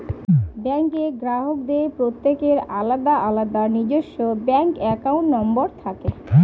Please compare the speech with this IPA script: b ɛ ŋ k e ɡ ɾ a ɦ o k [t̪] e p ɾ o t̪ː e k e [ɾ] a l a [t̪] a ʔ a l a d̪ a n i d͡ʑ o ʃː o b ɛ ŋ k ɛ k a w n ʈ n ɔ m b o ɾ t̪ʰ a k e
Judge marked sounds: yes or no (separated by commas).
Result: no, yes, no